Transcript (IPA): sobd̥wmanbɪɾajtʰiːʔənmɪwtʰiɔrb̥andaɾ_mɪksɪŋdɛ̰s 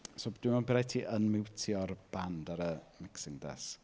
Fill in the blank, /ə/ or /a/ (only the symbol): ə